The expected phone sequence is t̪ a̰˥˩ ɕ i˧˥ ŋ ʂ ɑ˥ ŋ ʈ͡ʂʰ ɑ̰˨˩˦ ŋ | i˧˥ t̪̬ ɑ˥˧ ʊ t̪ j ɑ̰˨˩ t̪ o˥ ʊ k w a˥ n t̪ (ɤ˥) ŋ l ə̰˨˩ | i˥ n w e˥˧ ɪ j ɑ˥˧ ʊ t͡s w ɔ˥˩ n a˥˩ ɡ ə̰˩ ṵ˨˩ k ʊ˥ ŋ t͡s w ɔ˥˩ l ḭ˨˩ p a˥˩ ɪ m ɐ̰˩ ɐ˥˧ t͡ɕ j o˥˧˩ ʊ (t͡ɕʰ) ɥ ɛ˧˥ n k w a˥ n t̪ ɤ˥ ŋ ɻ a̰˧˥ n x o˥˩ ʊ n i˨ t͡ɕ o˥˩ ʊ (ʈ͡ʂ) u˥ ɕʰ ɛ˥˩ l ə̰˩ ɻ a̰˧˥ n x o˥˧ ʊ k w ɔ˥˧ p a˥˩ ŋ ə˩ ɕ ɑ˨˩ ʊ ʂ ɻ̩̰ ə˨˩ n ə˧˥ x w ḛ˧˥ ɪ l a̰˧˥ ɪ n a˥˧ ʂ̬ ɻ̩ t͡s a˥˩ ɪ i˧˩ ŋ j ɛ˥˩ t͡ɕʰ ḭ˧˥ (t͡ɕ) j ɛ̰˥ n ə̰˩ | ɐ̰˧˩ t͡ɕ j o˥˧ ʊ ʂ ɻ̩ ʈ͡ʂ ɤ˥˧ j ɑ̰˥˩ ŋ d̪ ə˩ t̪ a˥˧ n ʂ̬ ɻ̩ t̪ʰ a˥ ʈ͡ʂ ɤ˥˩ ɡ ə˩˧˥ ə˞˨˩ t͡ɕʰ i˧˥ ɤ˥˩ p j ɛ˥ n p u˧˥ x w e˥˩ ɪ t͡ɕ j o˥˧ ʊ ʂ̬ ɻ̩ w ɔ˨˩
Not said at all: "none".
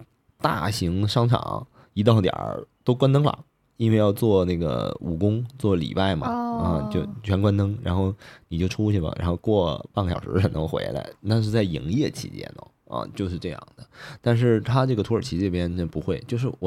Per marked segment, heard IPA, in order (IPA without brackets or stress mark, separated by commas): ɤ˥, t͡ɕʰ, ʈ͡ʂʰ, t͡ɕ